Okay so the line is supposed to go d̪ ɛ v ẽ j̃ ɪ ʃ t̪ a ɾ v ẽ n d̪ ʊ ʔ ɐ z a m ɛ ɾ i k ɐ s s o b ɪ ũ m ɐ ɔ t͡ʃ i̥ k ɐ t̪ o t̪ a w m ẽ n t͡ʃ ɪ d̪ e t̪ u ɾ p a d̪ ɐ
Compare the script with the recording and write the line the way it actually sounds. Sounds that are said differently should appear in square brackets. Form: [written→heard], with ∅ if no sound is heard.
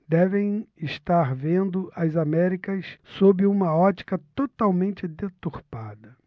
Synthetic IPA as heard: d̪ ɛ v ẽ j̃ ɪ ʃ t̪ a ɾ v ẽ n d̪ ʊ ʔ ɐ z a m ɛ ɾ i k ɐ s s o b ɪ ũ m ɐ ɔ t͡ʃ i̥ k ɐ t̪ o t̪ a w m ẽ n t͡ʃ ɪ d̪ e t̪ u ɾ p a d̪ ɐ